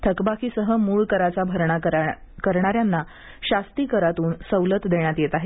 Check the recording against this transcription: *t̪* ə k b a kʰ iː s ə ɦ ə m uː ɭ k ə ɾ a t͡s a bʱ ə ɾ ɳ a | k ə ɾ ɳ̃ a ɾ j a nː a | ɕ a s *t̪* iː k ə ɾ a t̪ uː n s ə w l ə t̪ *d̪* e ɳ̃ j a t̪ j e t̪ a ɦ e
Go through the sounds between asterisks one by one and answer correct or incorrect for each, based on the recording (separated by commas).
incorrect, correct, correct